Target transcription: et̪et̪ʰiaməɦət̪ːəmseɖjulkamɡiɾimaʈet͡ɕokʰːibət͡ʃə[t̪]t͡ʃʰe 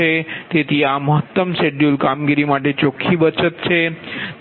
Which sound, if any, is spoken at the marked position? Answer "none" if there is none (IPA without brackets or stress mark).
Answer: t̪